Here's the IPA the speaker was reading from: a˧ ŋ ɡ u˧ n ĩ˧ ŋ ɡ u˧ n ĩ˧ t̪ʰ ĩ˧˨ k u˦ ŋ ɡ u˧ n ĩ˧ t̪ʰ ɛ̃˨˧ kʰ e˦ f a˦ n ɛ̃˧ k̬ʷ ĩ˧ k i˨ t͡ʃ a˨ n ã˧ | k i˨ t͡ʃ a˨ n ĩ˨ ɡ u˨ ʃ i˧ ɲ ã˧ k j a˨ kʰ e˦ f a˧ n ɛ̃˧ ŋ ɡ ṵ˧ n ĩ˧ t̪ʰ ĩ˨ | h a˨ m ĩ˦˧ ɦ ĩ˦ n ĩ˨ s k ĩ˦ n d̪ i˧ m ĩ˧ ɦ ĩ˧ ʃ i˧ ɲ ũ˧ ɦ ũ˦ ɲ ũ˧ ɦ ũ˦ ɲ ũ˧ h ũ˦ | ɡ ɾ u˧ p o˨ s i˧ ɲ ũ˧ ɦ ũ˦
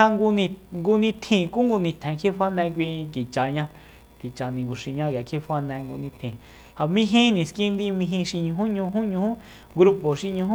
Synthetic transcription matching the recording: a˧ ŋ ɡ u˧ n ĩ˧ ŋ ɡ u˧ n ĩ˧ t̪ʰ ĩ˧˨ k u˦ ŋ ɡ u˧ n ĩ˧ t̪ʰ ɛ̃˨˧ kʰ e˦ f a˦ n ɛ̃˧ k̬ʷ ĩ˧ k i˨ t͡ʃ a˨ ɲ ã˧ | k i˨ t͡ʃ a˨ n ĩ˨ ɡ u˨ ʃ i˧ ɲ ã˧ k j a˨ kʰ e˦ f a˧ n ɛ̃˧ ŋ ɡ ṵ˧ n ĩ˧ t̪ʰ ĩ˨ | h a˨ m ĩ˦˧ ɦ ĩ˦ n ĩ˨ s k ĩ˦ n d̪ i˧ m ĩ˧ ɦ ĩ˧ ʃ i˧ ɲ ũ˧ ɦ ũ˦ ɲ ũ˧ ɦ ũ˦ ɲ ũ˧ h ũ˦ | ɡ ɾ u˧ p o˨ ʃ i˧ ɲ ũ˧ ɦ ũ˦